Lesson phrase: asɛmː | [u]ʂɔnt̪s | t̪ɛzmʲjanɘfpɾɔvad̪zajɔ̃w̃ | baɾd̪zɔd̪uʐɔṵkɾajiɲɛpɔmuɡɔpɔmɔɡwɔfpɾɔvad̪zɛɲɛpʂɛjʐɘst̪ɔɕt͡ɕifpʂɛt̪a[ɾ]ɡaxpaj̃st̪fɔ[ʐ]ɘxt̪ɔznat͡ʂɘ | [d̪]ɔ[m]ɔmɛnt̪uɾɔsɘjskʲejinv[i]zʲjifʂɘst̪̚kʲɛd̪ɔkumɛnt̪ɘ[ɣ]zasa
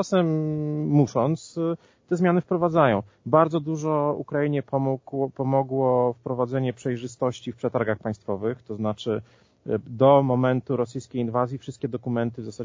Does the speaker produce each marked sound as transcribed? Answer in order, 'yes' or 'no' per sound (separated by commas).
yes, yes, no, yes, yes, no, no